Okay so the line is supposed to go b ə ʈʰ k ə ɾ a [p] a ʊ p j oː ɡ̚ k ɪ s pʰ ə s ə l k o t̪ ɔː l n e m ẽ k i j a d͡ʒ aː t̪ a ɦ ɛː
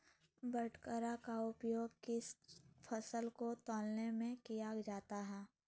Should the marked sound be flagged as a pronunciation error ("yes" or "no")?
yes